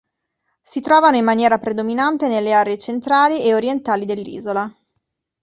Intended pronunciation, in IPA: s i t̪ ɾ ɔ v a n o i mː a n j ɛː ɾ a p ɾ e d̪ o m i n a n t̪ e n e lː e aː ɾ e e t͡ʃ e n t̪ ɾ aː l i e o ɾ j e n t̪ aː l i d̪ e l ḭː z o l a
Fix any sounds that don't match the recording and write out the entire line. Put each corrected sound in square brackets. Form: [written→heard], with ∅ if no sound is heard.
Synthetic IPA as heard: s i t̪ ɾ [ɔ→ɔː] v a n o i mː a n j ɛː ɾ a p ɾ e d̪ o m i n a n t̪ e n e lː e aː ɾ e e t͡ʃ e n t̪ ɾ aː l i e o ɾ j e n t̪ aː l i d̪ e [l→lː] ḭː z o l a

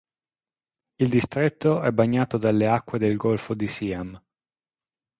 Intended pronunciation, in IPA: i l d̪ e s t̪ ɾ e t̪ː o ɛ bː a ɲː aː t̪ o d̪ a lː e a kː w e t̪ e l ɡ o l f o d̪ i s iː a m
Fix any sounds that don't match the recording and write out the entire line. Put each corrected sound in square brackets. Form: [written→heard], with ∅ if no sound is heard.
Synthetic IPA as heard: i l d̪ [e→i] s t̪ ɾ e t̪ː o ɛ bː a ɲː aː t̪ o d̪ a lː e a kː w e [t̪→d̪] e l ɡ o l f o d̪ i s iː a m

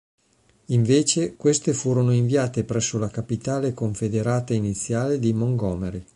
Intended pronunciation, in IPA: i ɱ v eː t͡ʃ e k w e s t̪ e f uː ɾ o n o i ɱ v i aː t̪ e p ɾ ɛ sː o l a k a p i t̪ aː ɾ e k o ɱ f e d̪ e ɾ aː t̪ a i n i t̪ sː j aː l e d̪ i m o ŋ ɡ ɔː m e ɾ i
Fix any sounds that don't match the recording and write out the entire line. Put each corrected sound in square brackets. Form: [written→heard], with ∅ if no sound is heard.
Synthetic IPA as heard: i ɱ v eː t͡ʃ e k w e s t̪ e f uː ɾ o n o i ɱ v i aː t̪ e p ɾ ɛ sː o l a k a p i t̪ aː [ɾ→l] e k o ɱ f e d̪ e ɾ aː t̪ a i n i t̪ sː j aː l e d̪ i m o ŋ ɡ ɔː m e ɾ i

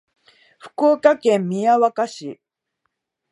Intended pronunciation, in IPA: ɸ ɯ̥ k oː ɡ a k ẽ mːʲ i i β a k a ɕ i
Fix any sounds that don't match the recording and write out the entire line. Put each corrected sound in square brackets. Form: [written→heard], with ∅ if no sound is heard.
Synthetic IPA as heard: ɸ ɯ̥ k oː [ɡ→k] a k ẽ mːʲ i [i→a] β a k a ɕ i

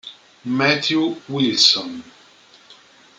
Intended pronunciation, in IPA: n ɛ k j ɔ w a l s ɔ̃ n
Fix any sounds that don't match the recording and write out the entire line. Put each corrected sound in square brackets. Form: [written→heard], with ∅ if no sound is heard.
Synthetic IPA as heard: [n→m] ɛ [k→t] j [ɔ→u] w [a→i] l s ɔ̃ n

